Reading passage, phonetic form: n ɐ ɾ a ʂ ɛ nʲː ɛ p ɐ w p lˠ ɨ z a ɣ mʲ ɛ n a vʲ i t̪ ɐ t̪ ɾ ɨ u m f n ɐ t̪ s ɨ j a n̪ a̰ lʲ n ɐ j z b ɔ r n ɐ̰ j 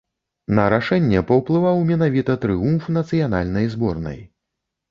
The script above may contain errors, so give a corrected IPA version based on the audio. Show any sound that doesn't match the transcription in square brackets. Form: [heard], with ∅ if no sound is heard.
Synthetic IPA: n ɐ ɾ a ʂ ɛ nʲː ɛ p ɐ w p lˠ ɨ [v] a [w] mʲ ɛ n a vʲ i t̪ ɐ t̪ ɾ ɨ u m f n ɐ t̪ s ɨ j a n̪ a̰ lʲ n ɐ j z b ɔ r n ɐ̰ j